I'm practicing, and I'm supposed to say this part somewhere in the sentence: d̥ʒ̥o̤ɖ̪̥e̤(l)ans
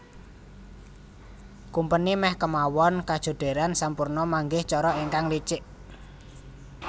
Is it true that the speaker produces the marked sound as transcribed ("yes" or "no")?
no